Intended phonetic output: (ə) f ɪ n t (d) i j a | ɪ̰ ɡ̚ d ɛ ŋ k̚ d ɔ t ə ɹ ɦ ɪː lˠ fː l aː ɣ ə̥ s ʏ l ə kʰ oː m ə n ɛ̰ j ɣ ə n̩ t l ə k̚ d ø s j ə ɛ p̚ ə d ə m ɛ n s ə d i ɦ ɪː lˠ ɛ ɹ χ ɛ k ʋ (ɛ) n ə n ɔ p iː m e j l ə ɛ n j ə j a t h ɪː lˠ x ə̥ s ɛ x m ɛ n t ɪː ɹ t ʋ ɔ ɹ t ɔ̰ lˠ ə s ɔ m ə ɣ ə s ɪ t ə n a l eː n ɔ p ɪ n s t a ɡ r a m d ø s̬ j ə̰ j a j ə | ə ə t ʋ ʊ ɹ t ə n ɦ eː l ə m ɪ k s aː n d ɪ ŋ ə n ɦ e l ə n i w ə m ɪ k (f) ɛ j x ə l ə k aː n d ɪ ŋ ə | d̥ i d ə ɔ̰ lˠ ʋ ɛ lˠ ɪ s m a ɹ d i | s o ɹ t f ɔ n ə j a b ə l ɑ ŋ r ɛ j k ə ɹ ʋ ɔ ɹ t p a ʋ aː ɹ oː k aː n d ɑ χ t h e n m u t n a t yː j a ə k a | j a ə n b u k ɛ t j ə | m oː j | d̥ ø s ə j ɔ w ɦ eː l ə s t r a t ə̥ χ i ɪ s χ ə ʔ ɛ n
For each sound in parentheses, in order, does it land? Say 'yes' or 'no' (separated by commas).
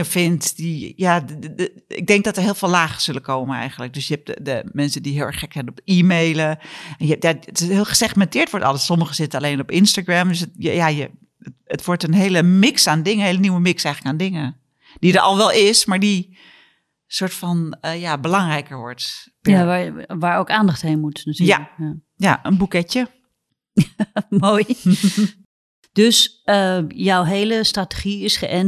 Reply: yes, yes, yes, no